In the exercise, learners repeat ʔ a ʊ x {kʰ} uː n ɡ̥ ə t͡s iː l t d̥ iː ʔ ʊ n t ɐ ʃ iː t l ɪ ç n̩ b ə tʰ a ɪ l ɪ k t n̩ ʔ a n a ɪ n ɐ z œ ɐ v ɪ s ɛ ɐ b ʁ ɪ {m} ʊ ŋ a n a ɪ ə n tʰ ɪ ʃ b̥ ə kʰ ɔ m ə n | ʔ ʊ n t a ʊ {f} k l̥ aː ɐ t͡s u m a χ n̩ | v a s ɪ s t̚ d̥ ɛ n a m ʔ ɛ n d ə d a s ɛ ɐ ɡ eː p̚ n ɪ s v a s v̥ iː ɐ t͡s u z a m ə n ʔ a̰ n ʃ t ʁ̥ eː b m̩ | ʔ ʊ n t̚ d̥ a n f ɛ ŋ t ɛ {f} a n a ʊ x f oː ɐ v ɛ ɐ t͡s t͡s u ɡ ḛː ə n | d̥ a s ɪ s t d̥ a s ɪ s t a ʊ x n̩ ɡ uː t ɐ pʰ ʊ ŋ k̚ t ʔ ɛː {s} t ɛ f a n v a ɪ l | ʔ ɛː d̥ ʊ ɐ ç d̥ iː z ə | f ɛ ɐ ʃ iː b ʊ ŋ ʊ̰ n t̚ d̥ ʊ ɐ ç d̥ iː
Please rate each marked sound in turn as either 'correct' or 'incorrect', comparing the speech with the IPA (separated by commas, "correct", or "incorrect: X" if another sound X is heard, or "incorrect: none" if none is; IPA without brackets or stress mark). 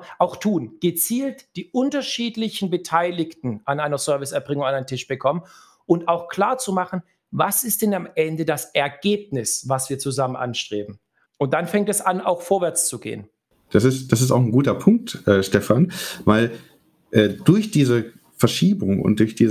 incorrect: tʰ, incorrect: ŋ, incorrect: x, incorrect: s, incorrect: ʃ